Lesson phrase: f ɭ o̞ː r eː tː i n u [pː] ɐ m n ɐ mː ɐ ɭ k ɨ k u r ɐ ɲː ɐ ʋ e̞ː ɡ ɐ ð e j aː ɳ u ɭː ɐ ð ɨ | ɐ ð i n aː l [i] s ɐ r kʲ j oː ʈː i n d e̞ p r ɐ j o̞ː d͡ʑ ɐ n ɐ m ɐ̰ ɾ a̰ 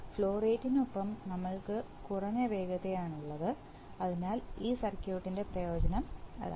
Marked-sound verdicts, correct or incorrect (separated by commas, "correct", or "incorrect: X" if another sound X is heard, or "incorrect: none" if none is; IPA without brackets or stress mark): correct, incorrect: iː